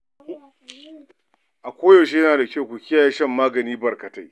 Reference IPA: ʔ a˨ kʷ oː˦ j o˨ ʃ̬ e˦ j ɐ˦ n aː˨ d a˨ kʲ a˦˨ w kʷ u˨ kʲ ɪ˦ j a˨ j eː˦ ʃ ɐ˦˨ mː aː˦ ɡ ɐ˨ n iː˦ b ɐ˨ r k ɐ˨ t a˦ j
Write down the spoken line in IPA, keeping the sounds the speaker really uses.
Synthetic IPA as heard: ʔ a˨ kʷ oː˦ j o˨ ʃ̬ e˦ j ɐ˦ n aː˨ d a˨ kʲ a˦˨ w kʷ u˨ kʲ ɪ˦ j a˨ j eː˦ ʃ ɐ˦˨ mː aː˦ ɡ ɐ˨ n iː˦ b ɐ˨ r k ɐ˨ t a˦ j